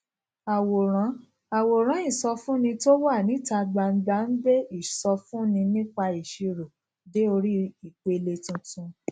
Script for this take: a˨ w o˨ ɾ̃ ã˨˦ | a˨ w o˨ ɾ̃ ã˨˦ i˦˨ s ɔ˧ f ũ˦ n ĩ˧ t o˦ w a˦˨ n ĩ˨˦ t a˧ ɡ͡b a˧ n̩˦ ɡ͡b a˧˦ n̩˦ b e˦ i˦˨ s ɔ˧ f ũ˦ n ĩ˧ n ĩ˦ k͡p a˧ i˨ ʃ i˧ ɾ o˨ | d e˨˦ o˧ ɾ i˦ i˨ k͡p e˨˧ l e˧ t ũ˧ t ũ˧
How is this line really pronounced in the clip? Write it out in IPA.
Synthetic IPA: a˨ w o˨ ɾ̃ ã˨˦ | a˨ w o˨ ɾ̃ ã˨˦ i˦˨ s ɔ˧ f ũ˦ n ĩ˧ t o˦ w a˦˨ n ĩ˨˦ t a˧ ɡ͡b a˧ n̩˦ ɡ͡b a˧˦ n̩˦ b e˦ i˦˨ s ɔ˧ f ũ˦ n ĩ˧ n ĩ˦ k͡p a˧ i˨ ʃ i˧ ɾ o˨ | d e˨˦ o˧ ɾ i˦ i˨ k͡p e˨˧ l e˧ t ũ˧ t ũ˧